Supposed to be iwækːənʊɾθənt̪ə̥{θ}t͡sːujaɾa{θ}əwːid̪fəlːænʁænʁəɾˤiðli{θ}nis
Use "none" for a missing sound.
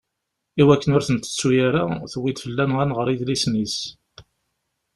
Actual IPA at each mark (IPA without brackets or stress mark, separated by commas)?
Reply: none, θ, s